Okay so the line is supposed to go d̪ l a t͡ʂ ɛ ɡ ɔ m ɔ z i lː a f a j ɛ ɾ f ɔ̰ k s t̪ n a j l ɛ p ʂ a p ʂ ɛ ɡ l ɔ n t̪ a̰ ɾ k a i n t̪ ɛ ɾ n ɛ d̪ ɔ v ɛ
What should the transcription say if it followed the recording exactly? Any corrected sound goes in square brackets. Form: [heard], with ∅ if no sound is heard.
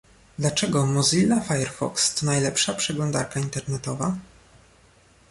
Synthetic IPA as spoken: d̪ l a t͡ʂ ɛ ɡ ɔ m ɔ z i lː a f a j ɛ ɾ f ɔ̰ k s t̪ n a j l ɛ p ʂ a p ʂ ɛ ɡ l ɔ n [d̪] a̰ ɾ k a i n t̪ ɛ ɾ n ɛ [t̪] ɔ v [a]